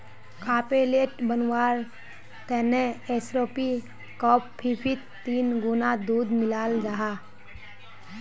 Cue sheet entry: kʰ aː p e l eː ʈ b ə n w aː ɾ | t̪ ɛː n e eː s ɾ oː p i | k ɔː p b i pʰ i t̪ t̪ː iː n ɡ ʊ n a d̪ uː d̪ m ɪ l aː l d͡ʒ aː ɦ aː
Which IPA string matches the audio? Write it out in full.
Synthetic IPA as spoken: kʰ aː p e l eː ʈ b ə n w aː ɾ | t̪ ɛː n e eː s ɾ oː p i | k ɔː p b i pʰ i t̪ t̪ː iː n ɡ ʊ n a d̪ uː d̪ m ɪ l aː l d͡ʒ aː ɦ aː